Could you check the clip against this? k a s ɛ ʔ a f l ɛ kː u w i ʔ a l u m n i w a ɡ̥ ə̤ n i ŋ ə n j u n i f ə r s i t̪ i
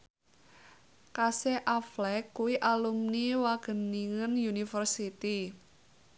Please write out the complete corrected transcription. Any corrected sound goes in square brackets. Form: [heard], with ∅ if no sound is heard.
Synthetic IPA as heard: k a s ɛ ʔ a f l ɛ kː u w i ʔ a l u m n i w a ɡ̥ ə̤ n i ŋ ə n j u n i f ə r s i t̪ i